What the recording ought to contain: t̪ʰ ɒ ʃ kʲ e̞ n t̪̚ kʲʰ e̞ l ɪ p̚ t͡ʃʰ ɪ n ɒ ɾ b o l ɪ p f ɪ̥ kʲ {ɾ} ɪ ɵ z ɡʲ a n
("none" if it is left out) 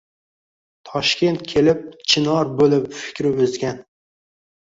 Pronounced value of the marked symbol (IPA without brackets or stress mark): ɾ